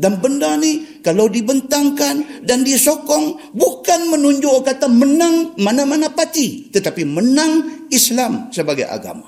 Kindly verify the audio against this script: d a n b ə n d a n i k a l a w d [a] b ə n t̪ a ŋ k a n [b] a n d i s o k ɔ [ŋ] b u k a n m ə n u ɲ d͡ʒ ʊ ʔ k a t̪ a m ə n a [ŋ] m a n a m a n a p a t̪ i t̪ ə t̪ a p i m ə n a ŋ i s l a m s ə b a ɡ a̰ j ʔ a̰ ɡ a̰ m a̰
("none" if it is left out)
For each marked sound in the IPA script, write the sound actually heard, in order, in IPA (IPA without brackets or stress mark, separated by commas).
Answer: i, d, ŋ, ŋ